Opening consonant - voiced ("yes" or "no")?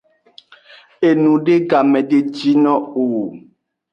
yes